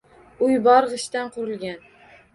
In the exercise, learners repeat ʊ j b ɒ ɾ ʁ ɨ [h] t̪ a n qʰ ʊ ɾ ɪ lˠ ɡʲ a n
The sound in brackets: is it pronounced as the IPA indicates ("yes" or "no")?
no